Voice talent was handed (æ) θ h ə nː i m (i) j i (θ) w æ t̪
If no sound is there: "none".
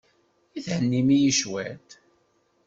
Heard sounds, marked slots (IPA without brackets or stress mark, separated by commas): i, i, ʃ